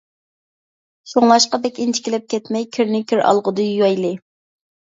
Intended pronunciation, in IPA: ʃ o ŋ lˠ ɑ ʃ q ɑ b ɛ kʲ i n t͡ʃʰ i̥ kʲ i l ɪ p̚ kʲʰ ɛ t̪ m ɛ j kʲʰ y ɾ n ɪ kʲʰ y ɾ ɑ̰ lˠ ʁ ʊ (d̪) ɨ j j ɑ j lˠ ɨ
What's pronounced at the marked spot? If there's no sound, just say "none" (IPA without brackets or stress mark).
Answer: d̪